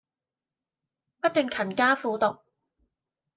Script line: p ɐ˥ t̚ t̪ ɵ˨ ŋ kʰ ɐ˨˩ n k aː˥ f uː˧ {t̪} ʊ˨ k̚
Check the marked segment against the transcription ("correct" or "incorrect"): correct